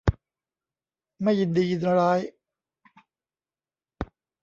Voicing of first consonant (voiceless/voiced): voiced